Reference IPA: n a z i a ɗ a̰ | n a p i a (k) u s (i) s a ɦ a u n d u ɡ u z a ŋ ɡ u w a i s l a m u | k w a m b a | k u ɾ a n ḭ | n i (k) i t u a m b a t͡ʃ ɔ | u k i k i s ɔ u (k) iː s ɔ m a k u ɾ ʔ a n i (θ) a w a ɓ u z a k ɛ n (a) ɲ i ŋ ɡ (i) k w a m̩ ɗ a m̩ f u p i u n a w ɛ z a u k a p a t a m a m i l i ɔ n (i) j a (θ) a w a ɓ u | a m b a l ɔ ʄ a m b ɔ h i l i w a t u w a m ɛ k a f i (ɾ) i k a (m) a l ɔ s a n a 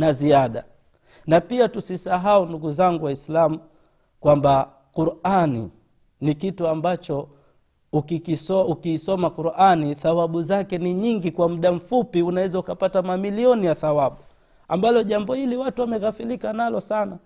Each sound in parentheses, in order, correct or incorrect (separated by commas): incorrect, correct, correct, correct, correct, incorrect, correct, correct, correct, incorrect, incorrect